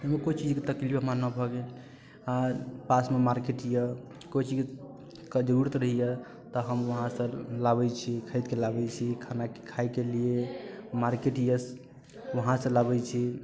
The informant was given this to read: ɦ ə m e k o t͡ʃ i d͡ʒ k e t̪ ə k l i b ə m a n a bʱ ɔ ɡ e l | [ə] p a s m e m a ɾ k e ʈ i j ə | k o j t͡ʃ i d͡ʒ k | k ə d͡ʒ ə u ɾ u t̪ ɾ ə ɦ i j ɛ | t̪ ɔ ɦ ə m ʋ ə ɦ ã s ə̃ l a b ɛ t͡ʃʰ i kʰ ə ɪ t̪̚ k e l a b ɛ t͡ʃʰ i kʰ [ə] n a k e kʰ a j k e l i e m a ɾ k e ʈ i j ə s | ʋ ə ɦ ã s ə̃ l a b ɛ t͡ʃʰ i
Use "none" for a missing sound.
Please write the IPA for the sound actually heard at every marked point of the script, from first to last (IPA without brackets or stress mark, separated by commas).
a, a